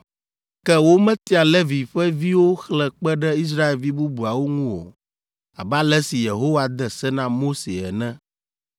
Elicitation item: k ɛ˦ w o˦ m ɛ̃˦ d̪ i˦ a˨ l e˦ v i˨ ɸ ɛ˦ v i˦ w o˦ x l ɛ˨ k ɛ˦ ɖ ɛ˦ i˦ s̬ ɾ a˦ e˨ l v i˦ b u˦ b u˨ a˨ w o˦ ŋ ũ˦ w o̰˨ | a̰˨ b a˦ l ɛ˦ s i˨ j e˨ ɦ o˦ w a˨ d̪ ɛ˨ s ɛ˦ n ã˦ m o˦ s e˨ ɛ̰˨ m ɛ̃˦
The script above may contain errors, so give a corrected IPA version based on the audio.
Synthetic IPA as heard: k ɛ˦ w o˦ m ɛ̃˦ t̪ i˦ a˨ l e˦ v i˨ ɸ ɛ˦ v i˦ w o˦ x l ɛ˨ k͡p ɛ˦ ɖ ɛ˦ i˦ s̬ ɾ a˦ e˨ l v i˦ b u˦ b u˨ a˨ w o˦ ŋ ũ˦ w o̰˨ | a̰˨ b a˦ l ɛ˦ s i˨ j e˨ ɦ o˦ w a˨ d̪ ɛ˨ s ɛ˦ n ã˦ m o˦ s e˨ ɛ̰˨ n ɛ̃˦